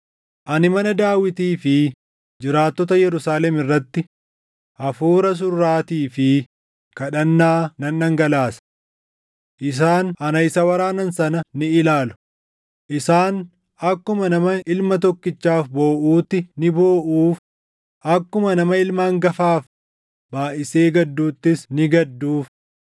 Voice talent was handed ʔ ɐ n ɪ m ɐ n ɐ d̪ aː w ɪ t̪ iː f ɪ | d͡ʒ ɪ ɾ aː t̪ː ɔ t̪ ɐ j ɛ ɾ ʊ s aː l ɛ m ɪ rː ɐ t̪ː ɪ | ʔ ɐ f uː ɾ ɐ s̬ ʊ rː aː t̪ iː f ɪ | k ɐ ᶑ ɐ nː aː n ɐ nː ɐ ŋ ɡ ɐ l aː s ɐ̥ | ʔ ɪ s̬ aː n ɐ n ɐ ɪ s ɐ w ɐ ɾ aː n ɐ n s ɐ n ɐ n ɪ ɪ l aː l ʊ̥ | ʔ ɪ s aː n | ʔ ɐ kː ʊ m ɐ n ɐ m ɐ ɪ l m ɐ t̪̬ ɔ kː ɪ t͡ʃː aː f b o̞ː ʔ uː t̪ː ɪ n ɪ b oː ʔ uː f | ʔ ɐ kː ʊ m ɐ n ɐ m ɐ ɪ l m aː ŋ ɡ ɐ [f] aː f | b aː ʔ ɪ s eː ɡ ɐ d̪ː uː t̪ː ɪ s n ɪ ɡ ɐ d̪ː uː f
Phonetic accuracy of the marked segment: correct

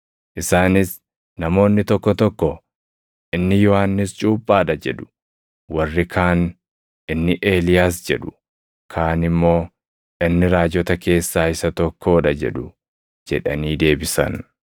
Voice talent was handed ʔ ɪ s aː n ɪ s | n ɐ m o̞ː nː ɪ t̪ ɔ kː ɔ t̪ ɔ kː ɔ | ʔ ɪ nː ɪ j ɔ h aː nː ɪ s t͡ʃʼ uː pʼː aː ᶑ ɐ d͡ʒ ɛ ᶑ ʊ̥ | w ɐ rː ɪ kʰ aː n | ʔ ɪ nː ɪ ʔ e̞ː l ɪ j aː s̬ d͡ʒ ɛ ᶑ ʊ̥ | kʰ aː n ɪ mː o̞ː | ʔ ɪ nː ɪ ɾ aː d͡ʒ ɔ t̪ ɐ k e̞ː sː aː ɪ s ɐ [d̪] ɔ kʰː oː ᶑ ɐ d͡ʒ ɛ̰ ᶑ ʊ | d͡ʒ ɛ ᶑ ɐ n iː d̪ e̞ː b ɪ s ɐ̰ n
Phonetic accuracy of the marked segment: incorrect: t̪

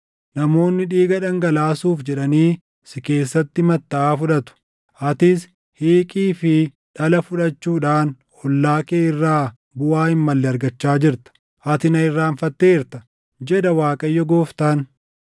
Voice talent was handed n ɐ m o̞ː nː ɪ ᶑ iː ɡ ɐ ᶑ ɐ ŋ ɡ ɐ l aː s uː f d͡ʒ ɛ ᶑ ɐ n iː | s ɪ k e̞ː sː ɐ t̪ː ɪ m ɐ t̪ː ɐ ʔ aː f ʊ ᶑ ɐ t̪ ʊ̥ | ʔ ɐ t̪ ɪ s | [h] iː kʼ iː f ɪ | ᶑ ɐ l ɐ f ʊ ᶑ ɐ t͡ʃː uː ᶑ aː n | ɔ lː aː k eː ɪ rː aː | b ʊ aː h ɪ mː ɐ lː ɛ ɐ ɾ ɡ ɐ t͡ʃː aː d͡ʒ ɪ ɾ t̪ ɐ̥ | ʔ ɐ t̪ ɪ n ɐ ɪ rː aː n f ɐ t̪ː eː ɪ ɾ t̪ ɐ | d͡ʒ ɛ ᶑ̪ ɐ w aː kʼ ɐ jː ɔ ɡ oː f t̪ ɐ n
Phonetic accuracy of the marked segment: correct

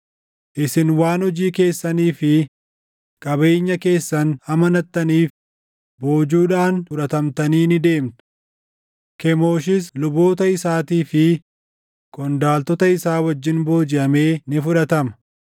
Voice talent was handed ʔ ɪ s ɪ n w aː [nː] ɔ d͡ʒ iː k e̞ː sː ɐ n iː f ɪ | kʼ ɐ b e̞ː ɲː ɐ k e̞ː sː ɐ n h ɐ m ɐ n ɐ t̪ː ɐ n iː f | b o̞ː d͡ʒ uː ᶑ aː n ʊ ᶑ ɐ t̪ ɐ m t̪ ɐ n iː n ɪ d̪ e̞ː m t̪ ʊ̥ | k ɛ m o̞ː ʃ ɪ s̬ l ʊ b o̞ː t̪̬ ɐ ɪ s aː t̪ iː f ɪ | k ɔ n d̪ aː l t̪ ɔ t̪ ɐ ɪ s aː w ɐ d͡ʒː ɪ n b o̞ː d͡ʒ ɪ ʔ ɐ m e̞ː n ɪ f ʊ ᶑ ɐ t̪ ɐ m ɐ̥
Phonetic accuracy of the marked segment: incorrect: n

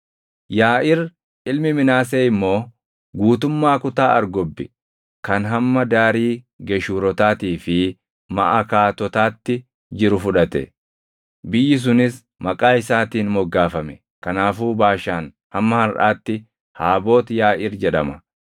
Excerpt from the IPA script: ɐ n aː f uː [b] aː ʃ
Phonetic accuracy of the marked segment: correct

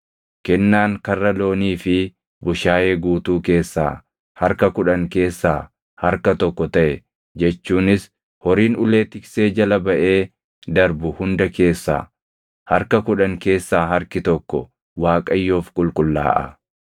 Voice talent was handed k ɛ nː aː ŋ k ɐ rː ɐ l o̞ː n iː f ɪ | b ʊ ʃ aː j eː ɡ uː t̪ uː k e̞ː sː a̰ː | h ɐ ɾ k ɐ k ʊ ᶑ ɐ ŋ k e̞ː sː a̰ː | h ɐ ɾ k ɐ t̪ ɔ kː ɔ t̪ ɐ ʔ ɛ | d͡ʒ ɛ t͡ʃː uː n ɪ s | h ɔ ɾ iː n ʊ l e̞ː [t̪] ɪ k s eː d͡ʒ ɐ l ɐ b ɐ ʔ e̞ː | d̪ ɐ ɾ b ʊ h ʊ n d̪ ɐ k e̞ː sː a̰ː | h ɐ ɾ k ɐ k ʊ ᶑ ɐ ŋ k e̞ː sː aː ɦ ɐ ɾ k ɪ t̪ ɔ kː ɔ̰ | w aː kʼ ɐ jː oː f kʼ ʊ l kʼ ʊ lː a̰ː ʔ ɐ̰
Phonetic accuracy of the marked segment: correct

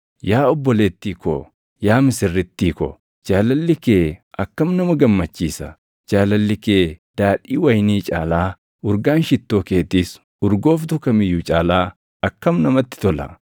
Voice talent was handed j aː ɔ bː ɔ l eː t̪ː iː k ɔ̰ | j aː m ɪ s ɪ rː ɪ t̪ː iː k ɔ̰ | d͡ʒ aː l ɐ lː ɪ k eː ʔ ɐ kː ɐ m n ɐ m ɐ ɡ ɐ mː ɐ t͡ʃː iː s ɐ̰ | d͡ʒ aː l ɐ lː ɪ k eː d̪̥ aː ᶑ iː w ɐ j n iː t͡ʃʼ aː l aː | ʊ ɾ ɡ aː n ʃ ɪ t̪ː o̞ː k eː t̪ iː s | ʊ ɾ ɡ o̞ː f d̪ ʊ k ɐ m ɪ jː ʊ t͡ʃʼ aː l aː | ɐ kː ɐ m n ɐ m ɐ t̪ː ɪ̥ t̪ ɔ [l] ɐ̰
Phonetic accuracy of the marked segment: correct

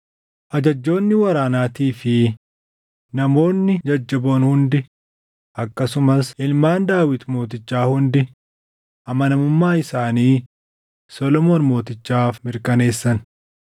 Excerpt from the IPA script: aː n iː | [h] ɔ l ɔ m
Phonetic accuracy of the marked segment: incorrect: s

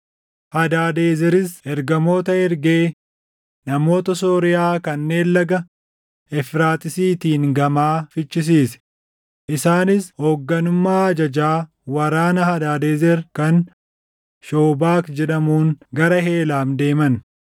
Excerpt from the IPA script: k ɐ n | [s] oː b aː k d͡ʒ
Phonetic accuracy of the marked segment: incorrect: ʃ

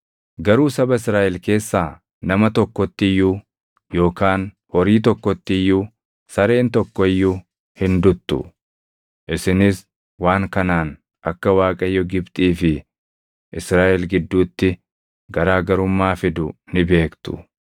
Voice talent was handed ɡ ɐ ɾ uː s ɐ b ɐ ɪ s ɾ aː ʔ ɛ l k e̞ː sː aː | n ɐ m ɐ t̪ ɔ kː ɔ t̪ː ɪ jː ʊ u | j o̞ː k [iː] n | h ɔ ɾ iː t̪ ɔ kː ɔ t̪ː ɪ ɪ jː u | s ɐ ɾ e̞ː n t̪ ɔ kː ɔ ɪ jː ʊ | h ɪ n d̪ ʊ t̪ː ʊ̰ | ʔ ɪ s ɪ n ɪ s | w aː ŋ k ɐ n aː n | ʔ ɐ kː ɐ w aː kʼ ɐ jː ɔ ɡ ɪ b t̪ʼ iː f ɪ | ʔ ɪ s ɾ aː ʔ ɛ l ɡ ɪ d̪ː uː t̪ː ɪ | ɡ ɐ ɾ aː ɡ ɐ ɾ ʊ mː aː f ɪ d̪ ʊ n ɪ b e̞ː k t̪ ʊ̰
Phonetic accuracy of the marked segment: incorrect: aː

